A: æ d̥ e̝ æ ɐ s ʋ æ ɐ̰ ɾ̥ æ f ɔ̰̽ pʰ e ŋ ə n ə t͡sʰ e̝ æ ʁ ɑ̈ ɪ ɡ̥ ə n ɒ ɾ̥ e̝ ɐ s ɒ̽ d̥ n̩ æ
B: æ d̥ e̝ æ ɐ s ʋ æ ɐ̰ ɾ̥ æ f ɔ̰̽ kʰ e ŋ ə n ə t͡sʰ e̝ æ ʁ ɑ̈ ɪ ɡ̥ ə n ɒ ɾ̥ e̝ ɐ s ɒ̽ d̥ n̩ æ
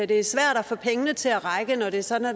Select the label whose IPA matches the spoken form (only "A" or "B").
A